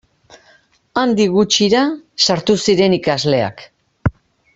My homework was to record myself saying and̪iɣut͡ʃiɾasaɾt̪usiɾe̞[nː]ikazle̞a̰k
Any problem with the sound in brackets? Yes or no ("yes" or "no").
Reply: yes